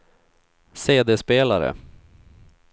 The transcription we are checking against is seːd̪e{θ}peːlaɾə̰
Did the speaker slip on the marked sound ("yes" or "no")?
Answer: yes